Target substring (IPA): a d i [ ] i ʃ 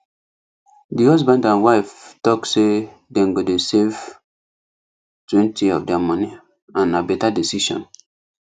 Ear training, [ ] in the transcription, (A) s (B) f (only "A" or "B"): A